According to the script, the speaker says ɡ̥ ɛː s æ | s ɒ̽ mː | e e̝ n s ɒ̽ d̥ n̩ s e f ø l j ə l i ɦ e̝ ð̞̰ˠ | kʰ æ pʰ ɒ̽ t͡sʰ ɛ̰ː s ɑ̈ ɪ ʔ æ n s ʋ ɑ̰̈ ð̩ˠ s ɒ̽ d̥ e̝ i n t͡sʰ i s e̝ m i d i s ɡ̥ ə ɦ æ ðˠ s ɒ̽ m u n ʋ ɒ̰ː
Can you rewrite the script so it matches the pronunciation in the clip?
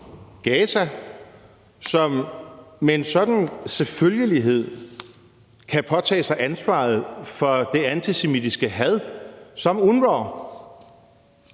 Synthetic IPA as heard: ɡ̥ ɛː s æ | s ɒ̽ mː | e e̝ n s ɒ̽ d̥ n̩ s e f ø l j ə l i ɦ e̝ ð̞̰ˠ | kʰ æ pʰ ɒ̽ t͡sʰ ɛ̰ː s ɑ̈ ɪ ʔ æ n s ʋ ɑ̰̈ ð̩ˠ f ɒ̽ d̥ e̝ æ n t͡sʰ i s e̝ m i d i s ɡ̥ ə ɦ æ ðˠ s ɒ̽ m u n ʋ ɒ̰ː